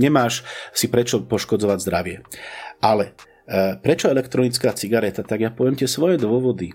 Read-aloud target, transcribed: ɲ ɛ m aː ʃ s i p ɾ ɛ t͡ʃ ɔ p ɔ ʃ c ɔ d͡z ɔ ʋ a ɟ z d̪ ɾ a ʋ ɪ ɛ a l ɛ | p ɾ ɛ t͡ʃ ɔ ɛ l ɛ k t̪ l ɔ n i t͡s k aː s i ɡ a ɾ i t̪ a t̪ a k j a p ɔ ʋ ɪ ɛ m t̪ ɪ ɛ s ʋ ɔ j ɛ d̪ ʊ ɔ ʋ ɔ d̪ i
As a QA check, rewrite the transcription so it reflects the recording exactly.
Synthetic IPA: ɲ ɛ m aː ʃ s i p ɾ ɛ t͡ʃ ɔ p ɔ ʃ k ɔ d͡z ɔ ʋ a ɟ z d̪ ɾ a ʋ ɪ ɛ a l ɛ | p ɾ ɛ t͡ʃ ɔ ɛ l ɛ k t̪ ɾ ɔ n i t͡s k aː t͡s i ɡ a ɾ ɛ t̪ a t̪ a ɡ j a p ɔ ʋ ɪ ɛ m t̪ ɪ ɛ s ʋ ɔ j ɛ d̪ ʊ ɔ ʋ ɔ d̪ i